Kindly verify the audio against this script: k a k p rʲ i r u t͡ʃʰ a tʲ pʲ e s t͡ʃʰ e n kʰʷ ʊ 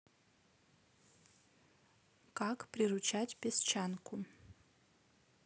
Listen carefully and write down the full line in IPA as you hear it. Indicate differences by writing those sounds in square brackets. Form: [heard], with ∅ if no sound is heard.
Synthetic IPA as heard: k a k p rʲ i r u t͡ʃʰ a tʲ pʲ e s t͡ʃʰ [a] n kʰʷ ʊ